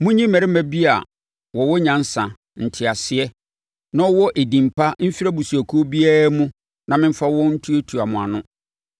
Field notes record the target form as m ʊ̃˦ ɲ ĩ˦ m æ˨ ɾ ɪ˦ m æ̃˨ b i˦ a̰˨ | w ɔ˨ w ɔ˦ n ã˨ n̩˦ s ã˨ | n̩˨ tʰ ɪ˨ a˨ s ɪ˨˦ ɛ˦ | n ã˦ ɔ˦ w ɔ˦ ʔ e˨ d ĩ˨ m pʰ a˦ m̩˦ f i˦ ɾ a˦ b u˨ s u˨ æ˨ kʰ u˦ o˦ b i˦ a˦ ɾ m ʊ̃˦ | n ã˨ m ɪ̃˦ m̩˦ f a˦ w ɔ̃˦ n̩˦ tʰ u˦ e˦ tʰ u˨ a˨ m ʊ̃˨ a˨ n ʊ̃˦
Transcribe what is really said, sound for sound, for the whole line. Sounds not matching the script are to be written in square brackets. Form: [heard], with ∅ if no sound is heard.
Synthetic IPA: m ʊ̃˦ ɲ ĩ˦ m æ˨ ɾ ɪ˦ m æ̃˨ b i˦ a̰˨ | w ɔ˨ w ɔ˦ [ɲ] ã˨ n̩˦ s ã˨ | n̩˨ tʰ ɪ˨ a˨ s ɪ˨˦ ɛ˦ | n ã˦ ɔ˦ w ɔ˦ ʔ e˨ d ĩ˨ m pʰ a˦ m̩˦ f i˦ ɾ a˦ b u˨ s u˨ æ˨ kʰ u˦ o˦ b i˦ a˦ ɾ m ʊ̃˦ | n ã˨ m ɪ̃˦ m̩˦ f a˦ w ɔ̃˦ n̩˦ tʰ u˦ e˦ tʰ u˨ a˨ m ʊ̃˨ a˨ n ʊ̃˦